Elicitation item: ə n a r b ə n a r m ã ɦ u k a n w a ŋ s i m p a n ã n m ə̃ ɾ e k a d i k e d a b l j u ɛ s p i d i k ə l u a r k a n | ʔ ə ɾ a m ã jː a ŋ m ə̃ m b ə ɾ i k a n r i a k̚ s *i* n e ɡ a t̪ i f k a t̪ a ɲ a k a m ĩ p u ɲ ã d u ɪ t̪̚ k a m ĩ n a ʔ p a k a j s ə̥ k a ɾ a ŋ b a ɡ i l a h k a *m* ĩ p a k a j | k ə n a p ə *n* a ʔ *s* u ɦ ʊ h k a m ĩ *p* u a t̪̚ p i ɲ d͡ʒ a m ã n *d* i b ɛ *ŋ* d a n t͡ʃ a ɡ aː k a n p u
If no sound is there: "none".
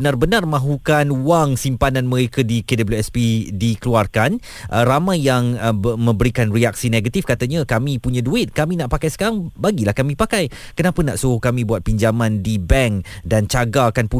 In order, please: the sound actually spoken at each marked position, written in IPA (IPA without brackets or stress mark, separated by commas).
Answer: i, m, n, s, b, d, ŋ